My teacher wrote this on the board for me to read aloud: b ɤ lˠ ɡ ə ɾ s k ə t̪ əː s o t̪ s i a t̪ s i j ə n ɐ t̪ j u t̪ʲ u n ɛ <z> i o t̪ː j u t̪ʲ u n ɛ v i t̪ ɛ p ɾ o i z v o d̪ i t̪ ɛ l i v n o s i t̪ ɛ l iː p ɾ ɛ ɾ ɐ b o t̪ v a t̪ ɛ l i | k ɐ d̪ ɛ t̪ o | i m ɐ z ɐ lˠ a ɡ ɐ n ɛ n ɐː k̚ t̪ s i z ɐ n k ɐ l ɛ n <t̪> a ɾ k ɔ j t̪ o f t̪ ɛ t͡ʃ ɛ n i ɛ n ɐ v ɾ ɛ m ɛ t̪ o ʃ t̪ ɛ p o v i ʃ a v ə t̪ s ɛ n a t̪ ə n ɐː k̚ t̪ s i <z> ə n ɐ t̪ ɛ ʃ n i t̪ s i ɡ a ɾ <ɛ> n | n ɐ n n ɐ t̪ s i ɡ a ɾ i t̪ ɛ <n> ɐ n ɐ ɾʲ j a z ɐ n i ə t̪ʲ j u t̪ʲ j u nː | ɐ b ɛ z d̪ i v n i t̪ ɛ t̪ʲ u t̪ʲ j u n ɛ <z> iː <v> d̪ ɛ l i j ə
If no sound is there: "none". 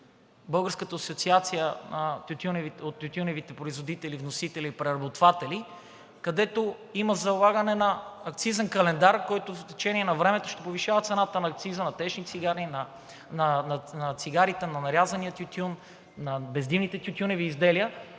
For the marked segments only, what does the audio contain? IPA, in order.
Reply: v, d̪, z, i, n, v, z

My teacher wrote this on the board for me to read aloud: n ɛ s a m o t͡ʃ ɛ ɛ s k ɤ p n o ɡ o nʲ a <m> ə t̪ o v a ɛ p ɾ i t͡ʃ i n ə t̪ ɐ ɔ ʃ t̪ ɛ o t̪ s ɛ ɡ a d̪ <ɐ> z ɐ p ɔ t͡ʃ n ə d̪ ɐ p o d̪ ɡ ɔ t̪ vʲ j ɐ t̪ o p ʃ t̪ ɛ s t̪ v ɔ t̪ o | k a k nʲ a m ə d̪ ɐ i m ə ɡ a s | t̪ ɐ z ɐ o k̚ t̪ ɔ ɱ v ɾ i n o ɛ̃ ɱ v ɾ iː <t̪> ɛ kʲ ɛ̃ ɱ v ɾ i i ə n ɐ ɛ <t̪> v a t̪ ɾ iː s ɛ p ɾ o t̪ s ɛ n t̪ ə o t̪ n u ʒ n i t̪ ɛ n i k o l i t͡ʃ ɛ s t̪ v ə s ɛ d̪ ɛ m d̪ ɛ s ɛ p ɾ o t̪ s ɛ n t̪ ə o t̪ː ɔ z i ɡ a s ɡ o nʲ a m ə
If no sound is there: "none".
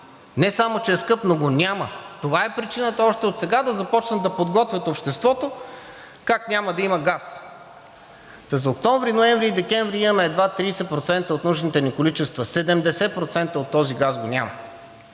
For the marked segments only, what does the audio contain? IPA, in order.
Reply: m, ɐ, d̪, d̪

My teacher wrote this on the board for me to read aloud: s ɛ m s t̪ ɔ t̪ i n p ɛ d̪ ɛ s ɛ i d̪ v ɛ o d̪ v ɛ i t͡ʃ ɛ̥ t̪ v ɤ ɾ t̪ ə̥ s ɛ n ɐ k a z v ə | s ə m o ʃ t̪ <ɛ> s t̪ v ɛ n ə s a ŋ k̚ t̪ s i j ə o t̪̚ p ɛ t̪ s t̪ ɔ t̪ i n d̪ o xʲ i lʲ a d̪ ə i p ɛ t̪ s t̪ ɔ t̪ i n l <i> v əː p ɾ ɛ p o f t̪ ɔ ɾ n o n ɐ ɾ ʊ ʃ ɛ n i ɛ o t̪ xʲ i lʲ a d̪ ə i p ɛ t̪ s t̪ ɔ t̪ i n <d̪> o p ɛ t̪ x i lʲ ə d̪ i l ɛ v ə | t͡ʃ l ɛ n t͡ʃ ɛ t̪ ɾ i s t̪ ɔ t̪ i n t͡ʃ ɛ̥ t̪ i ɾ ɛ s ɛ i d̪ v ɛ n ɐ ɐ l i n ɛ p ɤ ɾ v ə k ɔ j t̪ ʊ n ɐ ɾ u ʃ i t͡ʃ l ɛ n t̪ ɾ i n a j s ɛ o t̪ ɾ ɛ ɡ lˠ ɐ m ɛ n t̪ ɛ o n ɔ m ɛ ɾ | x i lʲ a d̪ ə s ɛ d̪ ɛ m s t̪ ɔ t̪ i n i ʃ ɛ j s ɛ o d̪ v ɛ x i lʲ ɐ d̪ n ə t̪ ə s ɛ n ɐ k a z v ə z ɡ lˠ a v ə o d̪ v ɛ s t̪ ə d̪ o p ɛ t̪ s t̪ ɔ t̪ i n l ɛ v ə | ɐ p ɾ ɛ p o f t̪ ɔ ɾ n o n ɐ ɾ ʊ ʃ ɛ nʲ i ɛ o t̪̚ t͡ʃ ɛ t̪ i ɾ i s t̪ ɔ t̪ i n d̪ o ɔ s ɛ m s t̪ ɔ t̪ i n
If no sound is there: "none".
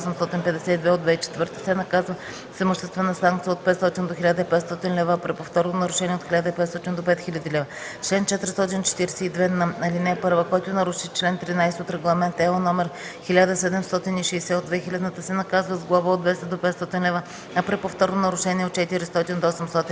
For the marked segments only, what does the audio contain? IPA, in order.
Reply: ɛ, ɛ, d̪

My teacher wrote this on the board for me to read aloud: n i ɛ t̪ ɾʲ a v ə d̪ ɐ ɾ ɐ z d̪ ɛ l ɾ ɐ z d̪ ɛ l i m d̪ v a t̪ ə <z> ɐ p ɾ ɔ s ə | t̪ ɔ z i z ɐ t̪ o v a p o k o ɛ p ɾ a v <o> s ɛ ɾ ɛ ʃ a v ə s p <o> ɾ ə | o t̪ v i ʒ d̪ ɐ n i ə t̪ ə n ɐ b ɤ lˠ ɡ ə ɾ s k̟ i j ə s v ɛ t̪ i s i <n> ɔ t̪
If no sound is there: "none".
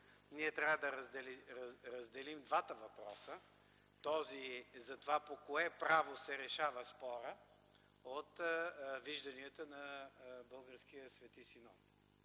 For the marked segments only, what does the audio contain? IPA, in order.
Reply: v, o, ɔ, n

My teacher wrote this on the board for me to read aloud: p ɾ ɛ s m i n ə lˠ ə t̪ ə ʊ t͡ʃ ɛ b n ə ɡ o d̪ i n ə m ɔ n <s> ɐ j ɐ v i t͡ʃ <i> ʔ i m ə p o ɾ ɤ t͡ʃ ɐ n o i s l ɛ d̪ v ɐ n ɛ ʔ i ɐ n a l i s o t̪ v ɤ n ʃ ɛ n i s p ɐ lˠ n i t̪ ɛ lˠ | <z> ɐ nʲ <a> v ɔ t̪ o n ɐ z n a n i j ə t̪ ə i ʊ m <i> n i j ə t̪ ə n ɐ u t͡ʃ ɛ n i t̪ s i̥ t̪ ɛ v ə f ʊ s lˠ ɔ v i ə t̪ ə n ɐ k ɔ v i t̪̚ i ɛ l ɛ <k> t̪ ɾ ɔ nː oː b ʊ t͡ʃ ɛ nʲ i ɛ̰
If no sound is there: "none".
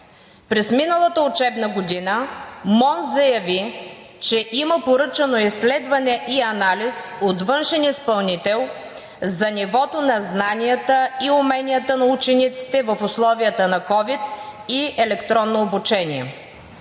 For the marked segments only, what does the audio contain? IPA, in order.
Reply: z, ɛ, z, i, ɛ, k

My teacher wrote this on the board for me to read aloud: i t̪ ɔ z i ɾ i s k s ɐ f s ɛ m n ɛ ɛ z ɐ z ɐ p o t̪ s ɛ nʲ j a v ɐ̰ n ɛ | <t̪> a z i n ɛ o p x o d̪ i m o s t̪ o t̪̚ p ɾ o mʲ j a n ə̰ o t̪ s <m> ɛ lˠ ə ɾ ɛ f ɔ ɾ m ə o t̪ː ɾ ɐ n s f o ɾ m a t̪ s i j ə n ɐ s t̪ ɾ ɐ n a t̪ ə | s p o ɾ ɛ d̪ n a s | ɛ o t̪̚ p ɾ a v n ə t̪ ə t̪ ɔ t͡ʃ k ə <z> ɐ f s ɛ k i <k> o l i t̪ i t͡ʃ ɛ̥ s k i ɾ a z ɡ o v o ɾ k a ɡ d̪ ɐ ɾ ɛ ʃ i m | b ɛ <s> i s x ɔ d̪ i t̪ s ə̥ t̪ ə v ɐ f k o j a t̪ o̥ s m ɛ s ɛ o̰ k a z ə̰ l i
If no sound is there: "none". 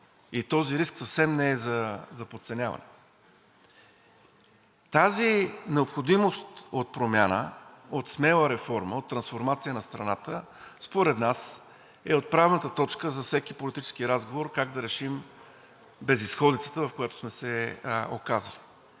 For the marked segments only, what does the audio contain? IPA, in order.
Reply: t̪, m, z, p, z

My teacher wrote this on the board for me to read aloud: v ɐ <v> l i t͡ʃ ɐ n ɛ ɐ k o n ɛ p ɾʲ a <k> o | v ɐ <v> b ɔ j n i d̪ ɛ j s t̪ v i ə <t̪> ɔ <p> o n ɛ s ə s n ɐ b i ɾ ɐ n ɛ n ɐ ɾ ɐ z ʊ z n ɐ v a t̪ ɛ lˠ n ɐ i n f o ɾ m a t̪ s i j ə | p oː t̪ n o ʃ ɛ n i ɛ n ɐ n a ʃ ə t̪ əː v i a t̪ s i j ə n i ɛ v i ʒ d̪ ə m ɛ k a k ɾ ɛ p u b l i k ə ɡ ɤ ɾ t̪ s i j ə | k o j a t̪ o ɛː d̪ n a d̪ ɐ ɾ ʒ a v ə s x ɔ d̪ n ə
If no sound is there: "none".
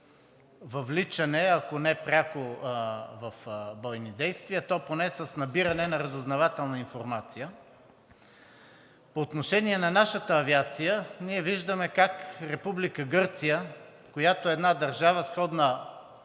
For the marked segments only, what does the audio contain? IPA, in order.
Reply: v, k, f, t̪, p

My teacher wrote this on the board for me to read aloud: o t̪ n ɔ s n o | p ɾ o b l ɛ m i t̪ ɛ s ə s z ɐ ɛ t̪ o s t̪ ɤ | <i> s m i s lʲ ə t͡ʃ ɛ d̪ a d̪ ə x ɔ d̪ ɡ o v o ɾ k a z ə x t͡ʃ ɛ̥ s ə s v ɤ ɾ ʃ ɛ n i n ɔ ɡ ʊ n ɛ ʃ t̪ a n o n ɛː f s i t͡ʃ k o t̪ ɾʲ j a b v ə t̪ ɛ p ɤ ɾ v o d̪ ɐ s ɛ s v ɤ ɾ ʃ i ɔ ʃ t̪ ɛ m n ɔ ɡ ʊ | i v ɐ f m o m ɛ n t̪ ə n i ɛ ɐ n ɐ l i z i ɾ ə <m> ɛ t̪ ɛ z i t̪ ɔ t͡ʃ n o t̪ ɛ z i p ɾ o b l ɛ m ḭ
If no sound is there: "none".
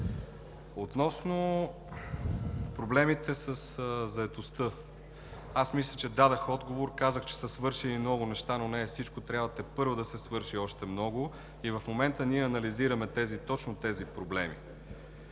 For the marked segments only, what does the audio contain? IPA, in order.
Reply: a, m

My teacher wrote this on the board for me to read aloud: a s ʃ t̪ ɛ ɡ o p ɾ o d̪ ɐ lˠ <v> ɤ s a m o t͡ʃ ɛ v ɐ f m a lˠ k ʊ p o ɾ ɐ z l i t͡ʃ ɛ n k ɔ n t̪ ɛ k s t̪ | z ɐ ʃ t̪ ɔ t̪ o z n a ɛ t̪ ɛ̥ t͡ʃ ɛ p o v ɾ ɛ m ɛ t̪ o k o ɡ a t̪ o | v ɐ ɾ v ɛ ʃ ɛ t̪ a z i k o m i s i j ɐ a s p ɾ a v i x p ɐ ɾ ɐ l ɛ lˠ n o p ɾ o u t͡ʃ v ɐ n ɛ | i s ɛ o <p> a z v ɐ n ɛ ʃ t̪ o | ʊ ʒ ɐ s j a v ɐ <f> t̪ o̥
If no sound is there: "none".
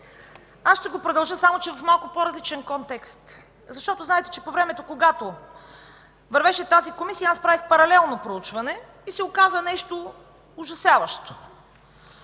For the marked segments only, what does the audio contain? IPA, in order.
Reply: ʒ, k, ʃ

